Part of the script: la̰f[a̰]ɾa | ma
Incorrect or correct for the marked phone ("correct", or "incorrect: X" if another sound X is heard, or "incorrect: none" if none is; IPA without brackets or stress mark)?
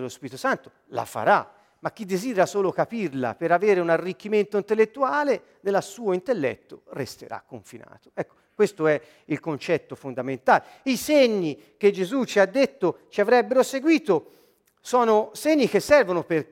correct